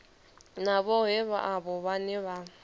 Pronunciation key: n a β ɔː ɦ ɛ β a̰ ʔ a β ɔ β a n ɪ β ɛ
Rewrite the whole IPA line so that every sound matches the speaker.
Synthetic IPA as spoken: n a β ɔ ɦ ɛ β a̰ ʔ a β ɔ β a n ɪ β a